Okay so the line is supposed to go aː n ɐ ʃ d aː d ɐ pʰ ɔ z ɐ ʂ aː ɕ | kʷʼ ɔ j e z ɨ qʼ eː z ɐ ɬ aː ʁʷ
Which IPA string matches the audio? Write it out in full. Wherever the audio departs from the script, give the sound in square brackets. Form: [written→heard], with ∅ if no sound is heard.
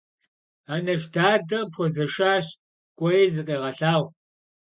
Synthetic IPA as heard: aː n ɐ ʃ d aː d ɐ pʰ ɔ z ɐ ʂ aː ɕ | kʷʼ ɔ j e z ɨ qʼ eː [z→ʁ] ɐ ɬ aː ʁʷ